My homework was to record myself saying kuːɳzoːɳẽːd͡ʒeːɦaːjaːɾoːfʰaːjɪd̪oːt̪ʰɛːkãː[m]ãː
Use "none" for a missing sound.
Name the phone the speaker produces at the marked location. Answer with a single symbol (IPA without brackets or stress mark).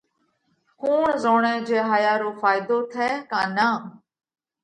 n